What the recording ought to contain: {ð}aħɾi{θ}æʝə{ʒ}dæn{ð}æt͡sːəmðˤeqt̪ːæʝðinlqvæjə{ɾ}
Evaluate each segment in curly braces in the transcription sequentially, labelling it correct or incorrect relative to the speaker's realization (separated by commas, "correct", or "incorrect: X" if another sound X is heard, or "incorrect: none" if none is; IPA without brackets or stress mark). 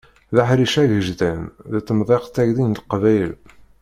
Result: correct, incorrect: ʃ, correct, correct, incorrect: l